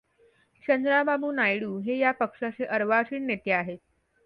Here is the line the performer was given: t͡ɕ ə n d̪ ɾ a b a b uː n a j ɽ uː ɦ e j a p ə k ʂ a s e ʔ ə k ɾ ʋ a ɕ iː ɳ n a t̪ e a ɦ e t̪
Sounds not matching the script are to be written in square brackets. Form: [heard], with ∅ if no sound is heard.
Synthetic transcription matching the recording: t͡ɕ ə n d̪ ɾ a b a b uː n a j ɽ uː ɦ e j a p ə k ʂ a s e ʔ ə [∅] ɾ ʋ a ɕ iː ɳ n [e] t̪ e a ɦ e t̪

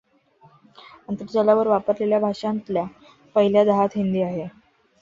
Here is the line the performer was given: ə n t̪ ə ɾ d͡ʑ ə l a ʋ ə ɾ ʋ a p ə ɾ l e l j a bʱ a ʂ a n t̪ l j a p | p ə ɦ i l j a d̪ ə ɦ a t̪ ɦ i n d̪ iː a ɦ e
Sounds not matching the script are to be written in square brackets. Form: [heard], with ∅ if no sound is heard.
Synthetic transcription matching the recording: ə n t̪ ə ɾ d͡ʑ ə l a ʋ ə ɾ ʋ a p ə ɾ l e l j a bʱ a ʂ a n t̪ l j a [∅] | p ə ɦ i l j a d̪ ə ɦ a t̪ ɦ i n d̪ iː a ɦ e

